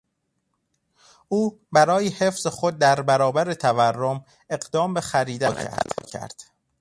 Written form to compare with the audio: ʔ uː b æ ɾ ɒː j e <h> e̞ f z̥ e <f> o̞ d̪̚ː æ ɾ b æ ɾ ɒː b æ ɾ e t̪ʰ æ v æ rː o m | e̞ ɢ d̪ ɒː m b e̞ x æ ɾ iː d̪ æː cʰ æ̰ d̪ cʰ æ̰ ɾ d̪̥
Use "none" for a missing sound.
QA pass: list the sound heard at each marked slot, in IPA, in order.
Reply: h, x

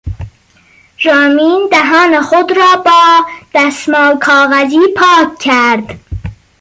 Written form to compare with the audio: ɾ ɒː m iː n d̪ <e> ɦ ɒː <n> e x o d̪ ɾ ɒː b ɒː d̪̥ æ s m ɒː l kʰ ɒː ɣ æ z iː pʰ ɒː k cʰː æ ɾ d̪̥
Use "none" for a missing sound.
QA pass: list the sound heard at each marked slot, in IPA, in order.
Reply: æ, n

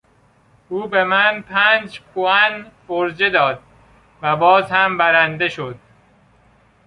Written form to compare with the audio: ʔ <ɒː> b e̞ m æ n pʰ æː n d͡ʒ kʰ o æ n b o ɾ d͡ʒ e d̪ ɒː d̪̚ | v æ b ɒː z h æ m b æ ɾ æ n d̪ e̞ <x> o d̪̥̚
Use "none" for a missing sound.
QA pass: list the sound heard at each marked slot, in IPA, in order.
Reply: uː, ʃ

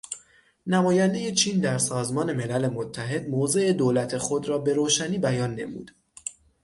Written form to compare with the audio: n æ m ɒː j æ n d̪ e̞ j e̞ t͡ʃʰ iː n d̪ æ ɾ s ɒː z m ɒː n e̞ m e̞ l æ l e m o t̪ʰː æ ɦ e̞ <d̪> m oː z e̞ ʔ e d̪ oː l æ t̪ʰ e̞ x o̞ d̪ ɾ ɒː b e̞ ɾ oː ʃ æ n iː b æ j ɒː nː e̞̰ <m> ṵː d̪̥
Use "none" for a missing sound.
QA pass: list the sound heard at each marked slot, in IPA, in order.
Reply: d̪, m

